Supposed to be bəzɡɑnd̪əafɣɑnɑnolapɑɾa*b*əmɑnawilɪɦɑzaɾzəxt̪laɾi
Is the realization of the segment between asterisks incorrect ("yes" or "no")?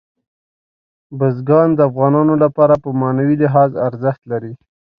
yes